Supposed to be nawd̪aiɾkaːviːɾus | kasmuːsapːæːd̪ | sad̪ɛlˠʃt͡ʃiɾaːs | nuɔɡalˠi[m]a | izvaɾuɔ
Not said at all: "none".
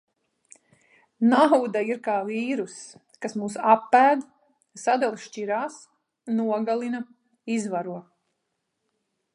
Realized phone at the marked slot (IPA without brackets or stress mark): n